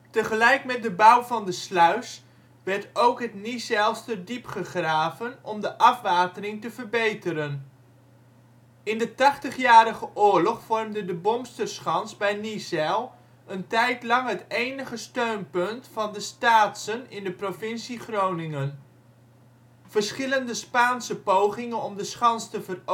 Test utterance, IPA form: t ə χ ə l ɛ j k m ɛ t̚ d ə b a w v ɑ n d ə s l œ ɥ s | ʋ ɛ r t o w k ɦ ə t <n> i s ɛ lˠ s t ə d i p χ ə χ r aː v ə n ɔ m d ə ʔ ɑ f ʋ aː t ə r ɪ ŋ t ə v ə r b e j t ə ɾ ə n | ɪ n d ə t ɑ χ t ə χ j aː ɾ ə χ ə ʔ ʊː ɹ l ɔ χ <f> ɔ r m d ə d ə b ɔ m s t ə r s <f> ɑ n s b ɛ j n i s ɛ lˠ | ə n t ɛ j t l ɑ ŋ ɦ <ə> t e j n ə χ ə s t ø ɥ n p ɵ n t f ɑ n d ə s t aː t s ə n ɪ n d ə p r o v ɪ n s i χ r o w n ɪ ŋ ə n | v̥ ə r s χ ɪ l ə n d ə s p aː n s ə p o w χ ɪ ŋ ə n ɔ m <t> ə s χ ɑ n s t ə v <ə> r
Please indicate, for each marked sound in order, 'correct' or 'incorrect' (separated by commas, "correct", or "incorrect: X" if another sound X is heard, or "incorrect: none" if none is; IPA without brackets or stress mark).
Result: correct, correct, incorrect: χ, correct, incorrect: d, correct